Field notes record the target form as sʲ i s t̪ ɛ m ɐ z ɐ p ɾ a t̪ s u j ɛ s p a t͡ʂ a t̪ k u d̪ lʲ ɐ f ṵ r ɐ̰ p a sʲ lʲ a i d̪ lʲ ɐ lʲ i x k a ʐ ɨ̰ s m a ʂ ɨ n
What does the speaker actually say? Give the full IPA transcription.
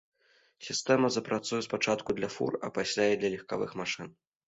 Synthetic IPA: sʲ i s t̪ ɛ m ɐ z ɐ p ɾ a t̪ s u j ɛ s p a t͡ʂ a t̪ k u d̪ lʲ ɐ f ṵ r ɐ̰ p a sʲ lʲ a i d̪ lʲ ɐ lʲ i x k a v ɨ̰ x m a ʂ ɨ n